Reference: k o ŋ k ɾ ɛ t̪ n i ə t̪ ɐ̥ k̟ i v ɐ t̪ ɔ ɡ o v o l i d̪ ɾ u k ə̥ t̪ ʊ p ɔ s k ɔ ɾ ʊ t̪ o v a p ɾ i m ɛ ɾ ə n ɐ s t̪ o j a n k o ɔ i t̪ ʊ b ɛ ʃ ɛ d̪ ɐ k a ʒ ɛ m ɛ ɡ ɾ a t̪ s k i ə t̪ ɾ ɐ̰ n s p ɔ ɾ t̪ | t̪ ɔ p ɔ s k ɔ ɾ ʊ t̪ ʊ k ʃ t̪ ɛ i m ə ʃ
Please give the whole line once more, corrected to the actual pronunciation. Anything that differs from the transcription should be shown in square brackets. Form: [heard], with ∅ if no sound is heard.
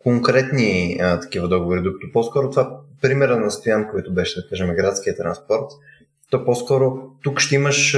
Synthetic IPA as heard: k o ŋ k ɾ ɛ t̪ n i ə t̪ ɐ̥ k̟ i v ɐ [d̪] ɔ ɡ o v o [ɾ] i d̪ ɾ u k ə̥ t̪ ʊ p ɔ s k ɔ ɾ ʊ t̪ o v a p ɾ i m ɛ ɾ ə n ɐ s t̪ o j a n k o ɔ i t̪ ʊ b ɛ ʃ ɛ d̪ ɐ k a ʒ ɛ m ɛ ɡ ɾ a t̪ s k i ə t̪ ɾ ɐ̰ n s p ɔ ɾ t̪ | t̪ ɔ p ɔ s k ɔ ɾ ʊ t̪ [u] k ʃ t̪ ɛ i m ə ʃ